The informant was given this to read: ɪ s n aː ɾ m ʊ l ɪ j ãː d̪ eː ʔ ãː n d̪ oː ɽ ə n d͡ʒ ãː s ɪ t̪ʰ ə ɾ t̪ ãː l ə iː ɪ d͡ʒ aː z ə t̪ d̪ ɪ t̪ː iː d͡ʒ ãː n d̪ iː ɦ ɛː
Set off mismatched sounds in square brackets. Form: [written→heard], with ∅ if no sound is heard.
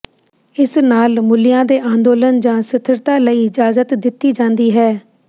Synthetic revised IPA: ɪ s n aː [ɾ→l] m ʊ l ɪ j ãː d̪ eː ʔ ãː n d̪ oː [ɽ→l] ə n d͡ʒ ãː s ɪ t̪ʰ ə ɾ t̪ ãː l ə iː ɪ d͡ʒ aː z ə t̪ d̪ ɪ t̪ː iː d͡ʒ ãː n d̪ iː ɦ ɛː

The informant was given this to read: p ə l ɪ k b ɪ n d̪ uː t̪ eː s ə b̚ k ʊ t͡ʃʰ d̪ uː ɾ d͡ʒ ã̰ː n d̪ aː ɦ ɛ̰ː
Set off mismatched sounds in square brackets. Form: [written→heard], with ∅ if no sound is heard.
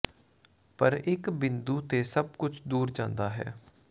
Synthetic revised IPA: p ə [l→ɾ] ɪ k b ɪ n d̪ uː t̪ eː s ə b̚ k ʊ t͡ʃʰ d̪ uː ɾ d͡ʒ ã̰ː n d̪ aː ɦ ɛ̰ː

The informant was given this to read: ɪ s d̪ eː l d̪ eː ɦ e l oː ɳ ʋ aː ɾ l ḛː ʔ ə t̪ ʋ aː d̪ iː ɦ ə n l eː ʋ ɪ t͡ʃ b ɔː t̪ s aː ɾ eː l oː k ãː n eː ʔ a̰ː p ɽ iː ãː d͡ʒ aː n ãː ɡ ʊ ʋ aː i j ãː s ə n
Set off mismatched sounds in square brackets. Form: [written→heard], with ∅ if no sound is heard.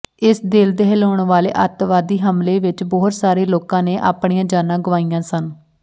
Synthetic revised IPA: ɪ s d̪ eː l d̪ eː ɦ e l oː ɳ ʋ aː [ɾ→∅] l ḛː ʔ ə t̪ ʋ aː d̪ iː ɦ ə [n→m] l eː ʋ ɪ t͡ʃ b ɔː t̪ s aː ɾ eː l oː k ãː n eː ʔ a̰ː p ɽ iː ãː d͡ʒ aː n ãː ɡ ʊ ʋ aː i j ãː s ə n

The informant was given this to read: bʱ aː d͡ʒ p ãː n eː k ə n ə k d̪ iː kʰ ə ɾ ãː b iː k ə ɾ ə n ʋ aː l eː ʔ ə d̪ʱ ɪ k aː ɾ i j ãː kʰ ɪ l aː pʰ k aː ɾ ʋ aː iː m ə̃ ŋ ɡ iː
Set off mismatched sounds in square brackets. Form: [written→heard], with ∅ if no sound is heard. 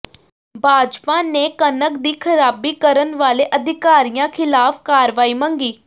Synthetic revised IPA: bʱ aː d͡ʒ p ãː n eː k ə n ə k d̪ iː kʰ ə ɾ [ãː→aː] b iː k ə ɾ ə n ʋ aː l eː ʔ ə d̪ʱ ɪ k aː ɾ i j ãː kʰ ɪ l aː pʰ k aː ɾ ʋ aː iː m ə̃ ŋ ɡ iː

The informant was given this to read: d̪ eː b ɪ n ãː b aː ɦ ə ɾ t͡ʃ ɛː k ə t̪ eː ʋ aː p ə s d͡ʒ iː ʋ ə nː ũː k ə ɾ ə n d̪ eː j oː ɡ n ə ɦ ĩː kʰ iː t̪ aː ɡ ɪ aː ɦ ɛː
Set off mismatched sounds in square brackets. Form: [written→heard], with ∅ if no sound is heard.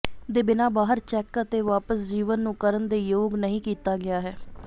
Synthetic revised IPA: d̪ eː b ɪ n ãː b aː ɦ ə ɾ t͡ʃ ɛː k ə t̪ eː ʋ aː p ə s d͡ʒ iː ʋ ə nː ũː k ə ɾ ə n d̪ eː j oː ɡ n ə ɦ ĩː [kʰ→k] iː t̪ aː ɡ ɪ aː ɦ ɛː

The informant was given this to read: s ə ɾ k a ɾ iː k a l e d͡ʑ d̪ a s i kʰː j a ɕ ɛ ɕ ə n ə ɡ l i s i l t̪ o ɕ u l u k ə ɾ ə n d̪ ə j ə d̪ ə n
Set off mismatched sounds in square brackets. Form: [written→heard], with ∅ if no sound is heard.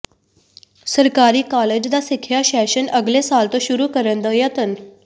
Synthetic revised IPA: s ə ɾ k a ɾ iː k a l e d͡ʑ d̪ a s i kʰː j a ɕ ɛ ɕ ə n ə ɡ l [i→e] s [i→a] l t̪ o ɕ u [l→ɾ] u k ə ɾ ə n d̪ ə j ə [d̪→t̪] ə n

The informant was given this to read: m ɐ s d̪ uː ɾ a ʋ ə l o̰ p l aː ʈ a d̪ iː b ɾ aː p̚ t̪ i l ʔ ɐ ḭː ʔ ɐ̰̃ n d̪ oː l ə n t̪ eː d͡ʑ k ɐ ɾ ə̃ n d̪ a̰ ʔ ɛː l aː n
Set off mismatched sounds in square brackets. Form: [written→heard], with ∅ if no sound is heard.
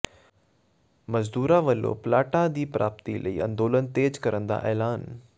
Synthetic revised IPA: m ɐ [s→z] d̪ uː ɾ a ʋ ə l o̰ p l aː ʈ a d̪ iː [b→p] ɾ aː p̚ t̪ i l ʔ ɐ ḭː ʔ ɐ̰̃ n d̪ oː l ə n t̪ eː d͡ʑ k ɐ ɾ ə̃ n d̪ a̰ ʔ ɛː l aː n

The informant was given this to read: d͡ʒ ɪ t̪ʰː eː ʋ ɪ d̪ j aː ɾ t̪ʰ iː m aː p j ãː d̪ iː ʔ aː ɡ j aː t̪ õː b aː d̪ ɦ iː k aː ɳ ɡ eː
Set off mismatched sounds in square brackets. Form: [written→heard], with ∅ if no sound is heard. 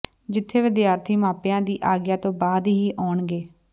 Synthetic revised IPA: d͡ʒ ɪ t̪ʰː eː ʋ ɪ d̪ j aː ɾ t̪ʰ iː m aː p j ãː d̪ iː ʔ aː ɡ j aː t̪ õː b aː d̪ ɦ iː [k→ʔ] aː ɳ ɡ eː

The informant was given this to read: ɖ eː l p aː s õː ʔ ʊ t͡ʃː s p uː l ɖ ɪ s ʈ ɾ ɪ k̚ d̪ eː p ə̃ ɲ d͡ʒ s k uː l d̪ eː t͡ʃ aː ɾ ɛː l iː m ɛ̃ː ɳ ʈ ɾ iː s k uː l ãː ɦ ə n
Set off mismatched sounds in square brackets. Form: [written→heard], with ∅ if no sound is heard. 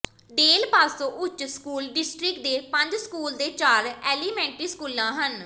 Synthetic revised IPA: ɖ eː l p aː s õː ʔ ʊ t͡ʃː s [p→k] uː l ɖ ɪ s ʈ ɾ ɪ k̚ d̪ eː p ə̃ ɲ d͡ʒ s k uː l d̪ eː t͡ʃ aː ɾ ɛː l iː m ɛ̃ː ɳ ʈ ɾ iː s k uː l ãː ɦ ə n

